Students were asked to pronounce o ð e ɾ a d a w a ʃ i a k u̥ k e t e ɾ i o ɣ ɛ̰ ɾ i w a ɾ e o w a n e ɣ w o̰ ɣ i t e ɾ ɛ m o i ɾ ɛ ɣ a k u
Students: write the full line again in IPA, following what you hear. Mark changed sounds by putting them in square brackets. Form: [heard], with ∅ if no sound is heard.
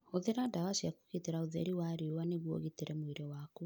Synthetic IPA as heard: o ð e ɾ a d a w a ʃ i a k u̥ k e t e ɾ [a] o [ð] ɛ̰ ɾ i w a ɾ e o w a n e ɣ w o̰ ɣ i t e ɾ ɛ m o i ɾ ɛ [w] a k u